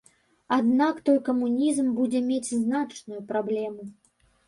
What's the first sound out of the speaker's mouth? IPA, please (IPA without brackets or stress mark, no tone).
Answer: a